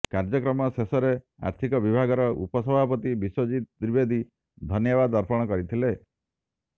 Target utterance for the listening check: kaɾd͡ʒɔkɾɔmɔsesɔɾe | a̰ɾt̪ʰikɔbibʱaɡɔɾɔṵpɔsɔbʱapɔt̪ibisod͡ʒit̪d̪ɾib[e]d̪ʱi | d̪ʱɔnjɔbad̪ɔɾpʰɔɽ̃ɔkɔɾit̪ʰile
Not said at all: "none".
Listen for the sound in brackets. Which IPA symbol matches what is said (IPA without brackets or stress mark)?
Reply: e